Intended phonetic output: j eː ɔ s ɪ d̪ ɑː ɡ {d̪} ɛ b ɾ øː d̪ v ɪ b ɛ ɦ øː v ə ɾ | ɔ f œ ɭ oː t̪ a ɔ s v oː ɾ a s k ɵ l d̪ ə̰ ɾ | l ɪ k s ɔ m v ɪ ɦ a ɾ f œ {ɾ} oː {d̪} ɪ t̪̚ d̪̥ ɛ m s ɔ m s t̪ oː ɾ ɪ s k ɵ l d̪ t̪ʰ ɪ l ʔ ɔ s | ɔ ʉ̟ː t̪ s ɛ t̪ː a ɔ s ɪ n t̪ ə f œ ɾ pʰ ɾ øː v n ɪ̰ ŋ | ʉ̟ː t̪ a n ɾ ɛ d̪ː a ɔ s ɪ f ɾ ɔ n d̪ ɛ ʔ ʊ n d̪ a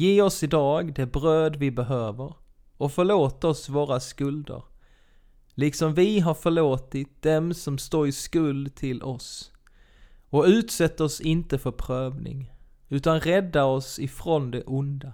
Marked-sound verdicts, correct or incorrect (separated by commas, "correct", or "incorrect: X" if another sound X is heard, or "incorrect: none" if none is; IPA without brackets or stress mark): correct, incorrect: ɭ, incorrect: t̪